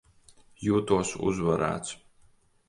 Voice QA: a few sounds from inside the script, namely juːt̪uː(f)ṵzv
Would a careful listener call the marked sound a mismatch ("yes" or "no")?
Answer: yes